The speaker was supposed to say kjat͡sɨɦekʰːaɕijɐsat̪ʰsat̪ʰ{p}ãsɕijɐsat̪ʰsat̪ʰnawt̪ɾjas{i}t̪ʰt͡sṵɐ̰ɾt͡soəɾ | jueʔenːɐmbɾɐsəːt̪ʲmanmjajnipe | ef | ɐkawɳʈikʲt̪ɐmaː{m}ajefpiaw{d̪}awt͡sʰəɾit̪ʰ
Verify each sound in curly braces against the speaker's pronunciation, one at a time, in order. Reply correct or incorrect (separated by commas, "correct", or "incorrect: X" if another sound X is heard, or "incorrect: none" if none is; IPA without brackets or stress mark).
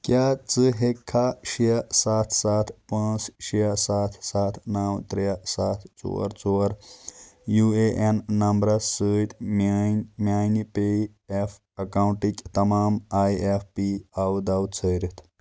correct, incorrect: a, correct, correct